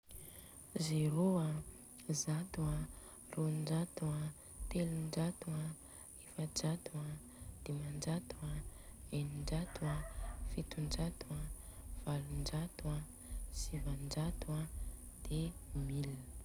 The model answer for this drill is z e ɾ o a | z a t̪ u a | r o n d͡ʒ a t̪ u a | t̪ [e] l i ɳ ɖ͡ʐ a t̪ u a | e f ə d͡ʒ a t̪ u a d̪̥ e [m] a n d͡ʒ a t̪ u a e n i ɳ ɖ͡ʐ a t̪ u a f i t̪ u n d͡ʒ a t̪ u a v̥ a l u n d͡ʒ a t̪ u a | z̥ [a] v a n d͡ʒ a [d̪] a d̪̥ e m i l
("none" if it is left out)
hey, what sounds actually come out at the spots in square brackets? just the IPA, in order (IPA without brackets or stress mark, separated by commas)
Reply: e, m, i, t̪